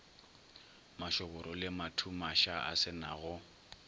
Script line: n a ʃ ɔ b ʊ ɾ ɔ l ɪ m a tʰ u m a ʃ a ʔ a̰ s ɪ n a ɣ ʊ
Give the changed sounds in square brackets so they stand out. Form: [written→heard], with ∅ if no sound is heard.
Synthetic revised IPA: [n→m] a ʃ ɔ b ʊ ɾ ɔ l ɪ m a tʰ u m a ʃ a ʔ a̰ s ɪ n a ɣ ʊ